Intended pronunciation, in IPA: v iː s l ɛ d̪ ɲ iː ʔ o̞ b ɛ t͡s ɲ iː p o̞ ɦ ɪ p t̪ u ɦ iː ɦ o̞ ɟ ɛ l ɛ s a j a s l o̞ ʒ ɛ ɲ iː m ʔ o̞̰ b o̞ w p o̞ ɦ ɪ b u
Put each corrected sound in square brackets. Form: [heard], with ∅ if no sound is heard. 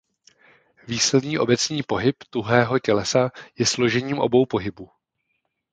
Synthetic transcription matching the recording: v iː s l ɛ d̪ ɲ iː ʔ o̞ b ɛ t͡s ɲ iː p o̞ ɦ ɪ p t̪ u ɦ [ɛː] ɦ o̞ [c] ɛ l ɛ s a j [ɛ] s l o̞ ʒ ɛ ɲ iː m ʔ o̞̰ b o̞ w p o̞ ɦ ɪ b u